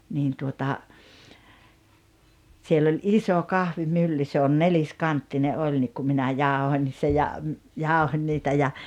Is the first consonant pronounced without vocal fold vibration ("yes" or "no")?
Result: no